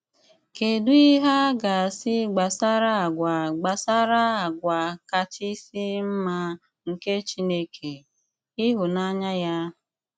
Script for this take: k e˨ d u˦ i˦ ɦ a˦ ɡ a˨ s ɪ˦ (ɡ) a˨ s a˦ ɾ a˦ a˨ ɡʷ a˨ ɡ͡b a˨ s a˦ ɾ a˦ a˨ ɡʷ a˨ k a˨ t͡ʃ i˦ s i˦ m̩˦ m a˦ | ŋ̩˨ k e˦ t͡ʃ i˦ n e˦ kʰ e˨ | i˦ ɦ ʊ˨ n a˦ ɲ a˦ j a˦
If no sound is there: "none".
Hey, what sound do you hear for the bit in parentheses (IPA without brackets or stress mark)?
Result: ɡ͡b